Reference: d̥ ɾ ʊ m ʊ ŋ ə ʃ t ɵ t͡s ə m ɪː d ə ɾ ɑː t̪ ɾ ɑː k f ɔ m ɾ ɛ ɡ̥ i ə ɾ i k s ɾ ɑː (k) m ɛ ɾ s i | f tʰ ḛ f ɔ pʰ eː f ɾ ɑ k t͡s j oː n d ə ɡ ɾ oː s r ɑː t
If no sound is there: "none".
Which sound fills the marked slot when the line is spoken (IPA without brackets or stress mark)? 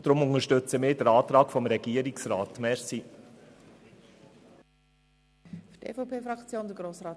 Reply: t